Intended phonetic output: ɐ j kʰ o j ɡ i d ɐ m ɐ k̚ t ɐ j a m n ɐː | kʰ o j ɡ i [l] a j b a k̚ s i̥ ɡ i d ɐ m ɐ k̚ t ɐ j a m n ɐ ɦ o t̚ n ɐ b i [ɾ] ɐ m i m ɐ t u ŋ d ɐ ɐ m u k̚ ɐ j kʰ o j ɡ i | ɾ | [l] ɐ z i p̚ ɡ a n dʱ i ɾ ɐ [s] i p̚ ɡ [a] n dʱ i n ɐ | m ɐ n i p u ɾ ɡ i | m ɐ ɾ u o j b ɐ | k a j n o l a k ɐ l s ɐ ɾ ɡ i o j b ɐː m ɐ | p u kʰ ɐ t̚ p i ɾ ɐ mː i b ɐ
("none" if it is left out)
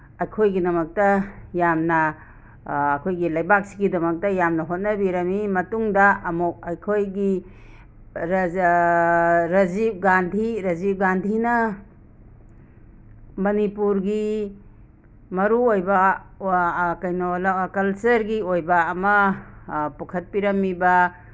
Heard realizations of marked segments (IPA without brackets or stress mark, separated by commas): l, ɾ, ɾ, z, a